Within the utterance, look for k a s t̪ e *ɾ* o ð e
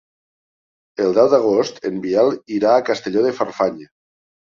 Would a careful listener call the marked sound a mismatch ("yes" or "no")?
yes